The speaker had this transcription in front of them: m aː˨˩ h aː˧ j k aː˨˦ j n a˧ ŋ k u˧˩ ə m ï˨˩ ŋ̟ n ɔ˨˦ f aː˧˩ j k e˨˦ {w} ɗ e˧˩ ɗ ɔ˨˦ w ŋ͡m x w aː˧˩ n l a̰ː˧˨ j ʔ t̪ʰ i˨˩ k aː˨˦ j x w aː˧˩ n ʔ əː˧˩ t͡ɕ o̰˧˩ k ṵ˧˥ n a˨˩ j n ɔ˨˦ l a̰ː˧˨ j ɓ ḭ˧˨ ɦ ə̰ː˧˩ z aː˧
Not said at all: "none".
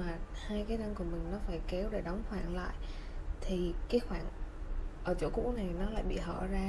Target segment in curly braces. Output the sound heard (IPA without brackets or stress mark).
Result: w